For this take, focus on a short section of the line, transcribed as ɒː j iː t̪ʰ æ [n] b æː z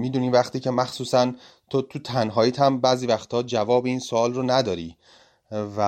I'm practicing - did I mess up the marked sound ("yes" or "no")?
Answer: yes